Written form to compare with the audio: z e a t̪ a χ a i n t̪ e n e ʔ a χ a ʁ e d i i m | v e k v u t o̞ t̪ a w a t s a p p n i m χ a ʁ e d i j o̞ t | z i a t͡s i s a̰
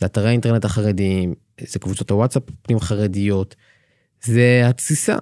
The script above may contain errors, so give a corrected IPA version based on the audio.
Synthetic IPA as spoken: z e a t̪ a ʁ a i n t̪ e n e t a χ a ʁ e d i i m | z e k v u t͡s o̞ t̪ a w a t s a p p n i m χ a ʁ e d i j o̞ t | z e a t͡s i s a̰